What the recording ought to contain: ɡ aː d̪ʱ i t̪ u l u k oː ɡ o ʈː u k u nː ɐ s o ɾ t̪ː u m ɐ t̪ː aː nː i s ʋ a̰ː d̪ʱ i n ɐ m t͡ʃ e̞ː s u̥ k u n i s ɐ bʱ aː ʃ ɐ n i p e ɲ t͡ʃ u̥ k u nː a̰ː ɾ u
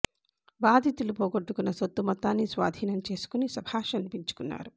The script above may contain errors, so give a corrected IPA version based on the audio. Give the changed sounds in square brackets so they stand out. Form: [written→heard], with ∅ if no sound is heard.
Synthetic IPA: [ɡ→b] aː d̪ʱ i t̪ u l u [k→p] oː ɡ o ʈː u k u nː ɐ s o [ɾ→∅] t̪ː u m ɐ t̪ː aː nː i s ʋ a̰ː d̪ʱ [i→iː] n ɐ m t͡ʃ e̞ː s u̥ k u n i s ɐ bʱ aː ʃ ɐ n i p [e→i] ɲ t͡ʃ u̥ k u nː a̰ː ɾ u